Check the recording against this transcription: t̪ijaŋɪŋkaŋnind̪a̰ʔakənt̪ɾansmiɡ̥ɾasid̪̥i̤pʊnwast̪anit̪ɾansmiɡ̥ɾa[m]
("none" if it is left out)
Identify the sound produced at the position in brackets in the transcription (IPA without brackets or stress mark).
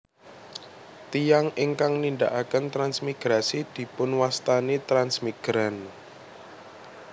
n